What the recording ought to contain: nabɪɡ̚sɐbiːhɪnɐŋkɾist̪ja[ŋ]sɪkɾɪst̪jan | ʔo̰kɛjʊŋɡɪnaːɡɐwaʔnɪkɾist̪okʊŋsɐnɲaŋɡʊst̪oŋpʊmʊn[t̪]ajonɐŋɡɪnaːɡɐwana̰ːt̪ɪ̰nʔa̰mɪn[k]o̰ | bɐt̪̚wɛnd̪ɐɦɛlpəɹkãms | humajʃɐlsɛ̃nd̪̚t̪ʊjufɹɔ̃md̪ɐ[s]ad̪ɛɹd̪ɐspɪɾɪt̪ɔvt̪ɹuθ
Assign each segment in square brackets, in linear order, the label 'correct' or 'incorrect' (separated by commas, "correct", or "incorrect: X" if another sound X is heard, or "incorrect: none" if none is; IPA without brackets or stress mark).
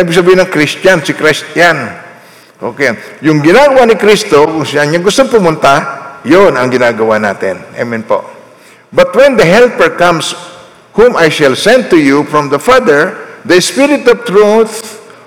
incorrect: n, correct, incorrect: p, incorrect: f